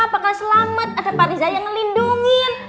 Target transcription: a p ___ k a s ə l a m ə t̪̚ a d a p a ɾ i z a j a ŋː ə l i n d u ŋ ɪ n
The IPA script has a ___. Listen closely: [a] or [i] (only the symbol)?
a